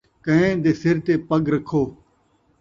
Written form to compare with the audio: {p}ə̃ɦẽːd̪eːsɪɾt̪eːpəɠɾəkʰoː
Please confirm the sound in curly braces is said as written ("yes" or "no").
no